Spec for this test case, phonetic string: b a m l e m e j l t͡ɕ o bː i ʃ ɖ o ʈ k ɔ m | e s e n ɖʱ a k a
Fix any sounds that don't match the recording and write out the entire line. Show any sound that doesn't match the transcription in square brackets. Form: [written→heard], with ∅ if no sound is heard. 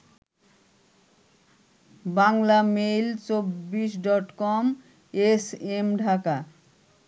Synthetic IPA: b a [m→ŋ] l [e→a] m e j l t͡ɕ o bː i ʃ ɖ [o→ɔ] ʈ k ɔ m | e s e [n→m] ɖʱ a k a